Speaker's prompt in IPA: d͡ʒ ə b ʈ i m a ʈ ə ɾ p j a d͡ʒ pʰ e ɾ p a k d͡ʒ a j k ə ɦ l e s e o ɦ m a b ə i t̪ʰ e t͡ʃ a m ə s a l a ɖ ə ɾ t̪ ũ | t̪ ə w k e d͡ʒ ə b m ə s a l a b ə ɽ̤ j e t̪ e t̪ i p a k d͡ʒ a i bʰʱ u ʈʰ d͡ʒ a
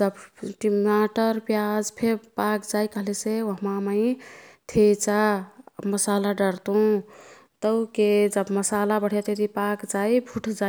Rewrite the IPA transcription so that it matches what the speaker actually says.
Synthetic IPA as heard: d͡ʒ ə b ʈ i m a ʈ ə ɾ p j a d͡ʒ pʰ e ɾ p a k d͡ʒ a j k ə ɦ l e s e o ɦ m a m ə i t̪ʰ e t͡ʃ a m ə s a l a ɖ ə ɾ t̪ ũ | t̪ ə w k e d͡ʒ ə b m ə s a l a b ə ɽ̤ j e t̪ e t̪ i p a k d͡ʒ a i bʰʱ u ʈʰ d͡ʒ a

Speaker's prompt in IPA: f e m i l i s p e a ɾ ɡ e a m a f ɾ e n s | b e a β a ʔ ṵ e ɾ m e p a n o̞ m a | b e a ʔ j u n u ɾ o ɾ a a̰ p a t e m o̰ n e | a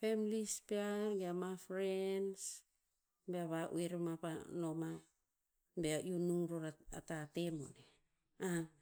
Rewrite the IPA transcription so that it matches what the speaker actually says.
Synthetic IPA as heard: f e m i l i s p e a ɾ ɡ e a m a f ɾ e n s | b e a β a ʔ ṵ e ɾ m a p a n o̞ m a | b e a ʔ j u n u ɾ o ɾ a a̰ t a t e m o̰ n e | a

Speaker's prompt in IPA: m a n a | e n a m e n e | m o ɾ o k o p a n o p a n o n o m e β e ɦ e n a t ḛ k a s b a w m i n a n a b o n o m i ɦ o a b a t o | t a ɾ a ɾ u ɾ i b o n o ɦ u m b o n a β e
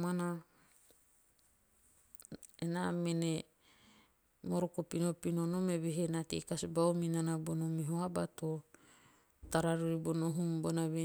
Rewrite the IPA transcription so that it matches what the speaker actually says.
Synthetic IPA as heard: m a n a | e n a m e n e | m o ɾ o k o p i n o p i n o n o m e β e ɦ e n a t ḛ k a s b a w m i n a n a b o n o m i ɦ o a b a t o | t a ɾ a ɾ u ɾ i b o n o ɦ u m b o n a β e

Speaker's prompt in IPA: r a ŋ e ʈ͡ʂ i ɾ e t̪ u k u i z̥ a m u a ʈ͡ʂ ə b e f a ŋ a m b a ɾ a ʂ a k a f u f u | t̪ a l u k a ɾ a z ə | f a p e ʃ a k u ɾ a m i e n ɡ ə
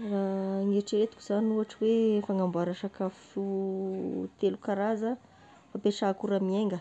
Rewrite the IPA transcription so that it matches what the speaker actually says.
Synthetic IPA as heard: r a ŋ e ʈ͡ʂ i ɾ e t̪ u k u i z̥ a n u a ʈ͡ʂ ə w e f a ŋ a m b a ɾ a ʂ a k a f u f u | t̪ e l u k a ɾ a z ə | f a p e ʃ a k u ɾ a m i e ŋ ɡ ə

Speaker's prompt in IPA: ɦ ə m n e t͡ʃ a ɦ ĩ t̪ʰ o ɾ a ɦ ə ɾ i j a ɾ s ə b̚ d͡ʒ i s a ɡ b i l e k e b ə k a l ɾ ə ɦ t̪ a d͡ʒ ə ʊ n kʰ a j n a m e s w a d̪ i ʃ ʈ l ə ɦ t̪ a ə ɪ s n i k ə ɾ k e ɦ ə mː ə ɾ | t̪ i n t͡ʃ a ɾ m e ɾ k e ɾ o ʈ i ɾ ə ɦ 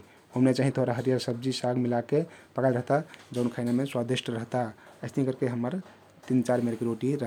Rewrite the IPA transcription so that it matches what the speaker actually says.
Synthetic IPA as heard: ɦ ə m n e t͡ʃ a ɦ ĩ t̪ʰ o ɾ a ɦ ə ɾ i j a ɾ s ə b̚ d͡ʒ i s a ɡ m i l a k e p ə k a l ɾ ə ɦ t̪ a d͡ʒ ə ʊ n kʰ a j n a m e s w a d̪ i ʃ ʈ ɾ ə ɦ t̪ a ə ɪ s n i k ə ɾ k e ɦ ə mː ə ɾ | t̪ i n t͡ʃ a ɾ m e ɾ k e ɾ o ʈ i ɾ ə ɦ

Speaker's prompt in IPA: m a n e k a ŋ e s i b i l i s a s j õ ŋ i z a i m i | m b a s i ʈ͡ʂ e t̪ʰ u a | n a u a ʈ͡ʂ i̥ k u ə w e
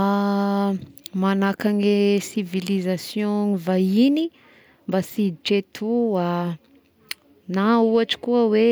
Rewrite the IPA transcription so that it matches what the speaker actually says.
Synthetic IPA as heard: m a n a k a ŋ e s i v i l i z a s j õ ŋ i v a i n i | m b a s i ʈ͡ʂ e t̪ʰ u a | n a u a ʈ͡ʂ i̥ k u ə w e

